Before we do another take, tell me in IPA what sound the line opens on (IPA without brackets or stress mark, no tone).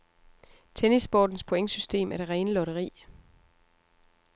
t͡sʰ